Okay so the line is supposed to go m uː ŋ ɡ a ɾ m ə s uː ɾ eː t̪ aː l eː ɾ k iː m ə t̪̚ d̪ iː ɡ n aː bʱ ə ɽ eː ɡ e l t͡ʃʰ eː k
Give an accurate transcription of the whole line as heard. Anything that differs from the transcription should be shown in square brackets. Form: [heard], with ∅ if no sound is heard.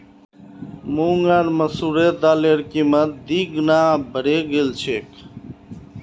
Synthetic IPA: m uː ŋ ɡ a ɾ m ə s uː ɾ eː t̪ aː l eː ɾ k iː m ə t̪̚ d̪ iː ɡ n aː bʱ ə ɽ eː ɡ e l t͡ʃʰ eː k